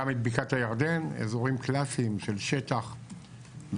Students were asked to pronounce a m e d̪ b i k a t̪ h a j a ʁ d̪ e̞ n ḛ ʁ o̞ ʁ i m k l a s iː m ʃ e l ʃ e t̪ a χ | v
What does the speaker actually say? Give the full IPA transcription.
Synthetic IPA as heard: a m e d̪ b i k a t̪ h a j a ʁ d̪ e̞ n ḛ z o̞ ʁ i m k l a s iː m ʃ e l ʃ e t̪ a χ | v